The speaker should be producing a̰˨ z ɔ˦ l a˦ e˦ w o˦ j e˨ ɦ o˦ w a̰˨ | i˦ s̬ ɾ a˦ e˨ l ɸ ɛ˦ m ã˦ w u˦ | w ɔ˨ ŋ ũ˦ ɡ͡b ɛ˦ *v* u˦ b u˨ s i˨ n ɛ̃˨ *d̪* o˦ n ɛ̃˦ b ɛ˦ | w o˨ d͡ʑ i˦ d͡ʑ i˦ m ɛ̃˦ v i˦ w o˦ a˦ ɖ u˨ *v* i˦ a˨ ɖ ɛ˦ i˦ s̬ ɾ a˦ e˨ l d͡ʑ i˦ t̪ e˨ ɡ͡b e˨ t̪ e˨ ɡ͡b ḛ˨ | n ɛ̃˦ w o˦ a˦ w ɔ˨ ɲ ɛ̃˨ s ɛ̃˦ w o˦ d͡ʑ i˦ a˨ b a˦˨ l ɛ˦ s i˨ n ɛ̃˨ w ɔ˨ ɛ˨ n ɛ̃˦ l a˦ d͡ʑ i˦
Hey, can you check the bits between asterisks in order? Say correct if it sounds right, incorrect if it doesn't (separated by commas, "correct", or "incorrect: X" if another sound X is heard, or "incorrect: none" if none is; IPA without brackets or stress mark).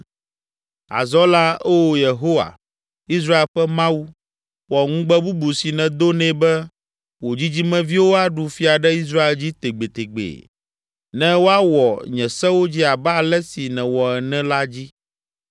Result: incorrect: b, correct, incorrect: f